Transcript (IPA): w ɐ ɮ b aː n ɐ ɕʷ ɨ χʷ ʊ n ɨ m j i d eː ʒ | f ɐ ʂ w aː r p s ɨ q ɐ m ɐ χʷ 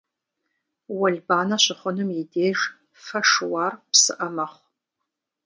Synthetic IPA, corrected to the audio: w ɐ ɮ b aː n ɐ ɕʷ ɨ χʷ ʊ n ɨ m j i d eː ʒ | f ɐ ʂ w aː r p s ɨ ʔ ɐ m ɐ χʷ